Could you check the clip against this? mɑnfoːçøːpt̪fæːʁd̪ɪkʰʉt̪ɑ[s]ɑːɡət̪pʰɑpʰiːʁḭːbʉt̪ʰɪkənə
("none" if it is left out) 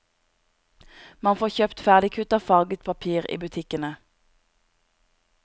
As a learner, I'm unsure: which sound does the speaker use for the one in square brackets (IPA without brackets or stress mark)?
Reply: f